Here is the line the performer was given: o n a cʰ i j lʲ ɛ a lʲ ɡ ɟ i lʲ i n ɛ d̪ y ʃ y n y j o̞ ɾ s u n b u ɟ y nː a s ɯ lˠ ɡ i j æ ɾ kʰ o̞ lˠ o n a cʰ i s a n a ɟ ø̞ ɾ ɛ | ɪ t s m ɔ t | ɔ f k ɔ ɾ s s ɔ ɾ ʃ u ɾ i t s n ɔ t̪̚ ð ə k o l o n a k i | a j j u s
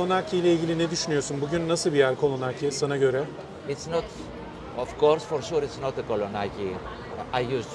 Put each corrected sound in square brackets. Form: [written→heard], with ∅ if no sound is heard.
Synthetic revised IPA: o n a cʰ i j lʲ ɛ [a→i] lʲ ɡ ɟ i lʲ i n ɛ d̪ y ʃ y n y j o̞ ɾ s u n b u ɟ y nː a s ɯ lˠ [ɡ→b] i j æ ɾ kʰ o̞ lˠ o n a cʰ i s a n a ɟ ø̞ ɾ ɛ | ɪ t s [m→n] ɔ t | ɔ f k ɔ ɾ s [s→f] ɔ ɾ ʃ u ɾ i t s n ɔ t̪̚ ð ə k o l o n a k i | a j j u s

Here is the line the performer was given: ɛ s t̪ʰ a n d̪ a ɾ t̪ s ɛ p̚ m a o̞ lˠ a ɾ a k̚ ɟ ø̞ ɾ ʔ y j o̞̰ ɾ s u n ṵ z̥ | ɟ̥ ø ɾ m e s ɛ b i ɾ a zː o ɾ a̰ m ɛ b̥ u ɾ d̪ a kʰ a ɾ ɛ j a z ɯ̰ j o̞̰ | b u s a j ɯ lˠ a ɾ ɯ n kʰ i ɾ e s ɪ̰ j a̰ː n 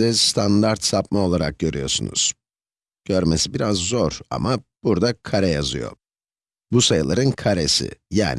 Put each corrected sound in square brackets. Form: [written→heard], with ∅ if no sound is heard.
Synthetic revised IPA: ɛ s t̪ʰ a n d̪ a ɾ t̪ s [ɛ→a] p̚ m a o̞ lˠ a ɾ a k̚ ɟ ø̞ ɾ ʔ y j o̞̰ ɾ s u n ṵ z̥ | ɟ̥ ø ɾ m e s [ɛ→i] b i ɾ a zː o ɾ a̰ m [ɛ→a] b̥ u ɾ d̪ a kʰ a ɾ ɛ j a z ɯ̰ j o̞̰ | b u s a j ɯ lˠ a ɾ ɯ n kʰ [i→a] ɾ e s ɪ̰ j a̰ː n

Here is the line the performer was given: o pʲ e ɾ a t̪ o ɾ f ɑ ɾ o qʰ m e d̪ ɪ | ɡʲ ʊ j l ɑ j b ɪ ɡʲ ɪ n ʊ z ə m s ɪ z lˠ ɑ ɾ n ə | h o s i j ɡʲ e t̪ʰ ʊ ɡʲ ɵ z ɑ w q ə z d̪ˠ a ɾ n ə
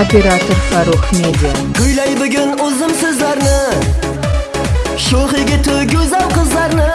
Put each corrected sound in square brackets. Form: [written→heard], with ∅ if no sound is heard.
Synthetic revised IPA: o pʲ e ɾ a t̪ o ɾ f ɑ ɾ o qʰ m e d̪ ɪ | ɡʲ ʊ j l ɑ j b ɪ ɡʲ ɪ n ʊ z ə m s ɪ z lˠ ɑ ɾ n ə | [h→ʃ] o [s→χ] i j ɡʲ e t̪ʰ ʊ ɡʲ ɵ z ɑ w q ə z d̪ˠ [a→ɑ] ɾ n ə

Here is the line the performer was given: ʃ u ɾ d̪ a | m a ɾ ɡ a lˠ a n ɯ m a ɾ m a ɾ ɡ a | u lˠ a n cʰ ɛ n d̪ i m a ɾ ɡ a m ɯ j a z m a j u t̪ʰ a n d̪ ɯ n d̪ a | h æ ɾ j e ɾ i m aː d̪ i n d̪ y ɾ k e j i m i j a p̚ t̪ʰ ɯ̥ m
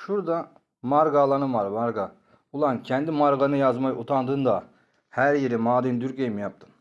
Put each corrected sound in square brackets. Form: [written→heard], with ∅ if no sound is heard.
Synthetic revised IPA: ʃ u ɾ d̪ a | m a ɾ ɡ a lˠ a n ɯ m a ɾ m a ɾ ɡ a | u lˠ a n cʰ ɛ n d̪ i m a ɾ ɡ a [m→n] ɯ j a z m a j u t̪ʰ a n d̪ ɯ n d̪ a | h æ ɾ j e ɾ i m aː d̪ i n d̪ y ɾ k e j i m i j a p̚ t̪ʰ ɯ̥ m

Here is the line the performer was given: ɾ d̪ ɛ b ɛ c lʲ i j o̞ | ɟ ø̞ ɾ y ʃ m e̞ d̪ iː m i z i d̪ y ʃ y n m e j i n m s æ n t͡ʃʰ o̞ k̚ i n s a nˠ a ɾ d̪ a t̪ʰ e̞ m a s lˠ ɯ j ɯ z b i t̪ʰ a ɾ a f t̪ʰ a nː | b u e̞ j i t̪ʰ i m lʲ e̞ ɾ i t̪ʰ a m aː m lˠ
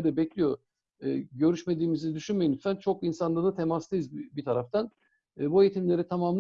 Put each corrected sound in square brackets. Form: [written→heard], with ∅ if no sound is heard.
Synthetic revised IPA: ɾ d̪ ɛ b ɛ c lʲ i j o̞ | ɟ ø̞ ɾ y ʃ m e̞ d̪ iː m i z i d̪ y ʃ y n m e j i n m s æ n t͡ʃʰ o̞ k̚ i n s a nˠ a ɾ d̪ a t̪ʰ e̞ m a s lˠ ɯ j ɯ z b i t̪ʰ a ɾ a f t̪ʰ a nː | b u e̞ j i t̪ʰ i m lʲ e̞ ɾ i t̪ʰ a m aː m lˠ

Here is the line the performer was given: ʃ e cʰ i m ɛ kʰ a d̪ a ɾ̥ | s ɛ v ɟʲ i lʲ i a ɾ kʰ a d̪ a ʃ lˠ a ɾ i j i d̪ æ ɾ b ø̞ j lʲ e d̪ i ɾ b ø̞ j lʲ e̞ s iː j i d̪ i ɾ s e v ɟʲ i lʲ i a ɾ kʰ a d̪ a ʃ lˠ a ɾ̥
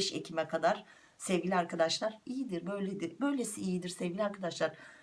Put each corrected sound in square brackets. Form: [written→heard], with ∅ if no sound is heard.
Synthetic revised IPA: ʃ e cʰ i m ɛ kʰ a d̪ a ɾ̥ | s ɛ v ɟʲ i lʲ i a ɾ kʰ a d̪ a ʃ lˠ a ɾ i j i d̪ [æ→i] ɾ b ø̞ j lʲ e d̪ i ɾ b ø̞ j lʲ e̞ s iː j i d̪ i ɾ s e v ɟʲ i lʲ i a ɾ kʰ a d̪ a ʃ lˠ a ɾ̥

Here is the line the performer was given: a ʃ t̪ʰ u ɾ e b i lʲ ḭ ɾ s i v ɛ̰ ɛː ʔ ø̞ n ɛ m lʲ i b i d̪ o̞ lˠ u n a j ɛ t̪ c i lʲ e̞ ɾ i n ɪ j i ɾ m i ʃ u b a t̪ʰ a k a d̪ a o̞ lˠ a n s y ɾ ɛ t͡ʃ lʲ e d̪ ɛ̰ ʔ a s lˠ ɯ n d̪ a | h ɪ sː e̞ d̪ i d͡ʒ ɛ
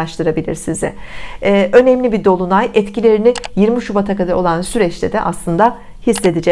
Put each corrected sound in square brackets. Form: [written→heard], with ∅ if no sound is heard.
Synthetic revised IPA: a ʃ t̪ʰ [u→ɯ] ɾ [e→a] b i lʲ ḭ ɾ s i [v→z] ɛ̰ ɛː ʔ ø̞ n ɛ m lʲ i b i d̪ o̞ lˠ u n a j ɛ t̪ c i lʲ e̞ ɾ i n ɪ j i ɾ m i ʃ u b a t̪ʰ a k a d̪ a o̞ lˠ a n s y ɾ ɛ t͡ʃ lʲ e d̪ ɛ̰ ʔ a s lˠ ɯ n d̪ a | h [ɪ→i] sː e̞ d̪ i d͡ʒ ɛ

